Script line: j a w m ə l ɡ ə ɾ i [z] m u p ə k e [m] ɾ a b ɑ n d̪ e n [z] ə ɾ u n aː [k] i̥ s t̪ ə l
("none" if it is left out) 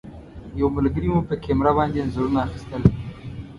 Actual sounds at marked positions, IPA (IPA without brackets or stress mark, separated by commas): none, m, z, x